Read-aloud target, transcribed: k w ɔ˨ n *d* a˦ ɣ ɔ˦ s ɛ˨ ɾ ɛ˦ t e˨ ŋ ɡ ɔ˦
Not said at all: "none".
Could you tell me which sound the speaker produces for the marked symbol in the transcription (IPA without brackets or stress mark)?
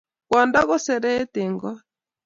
d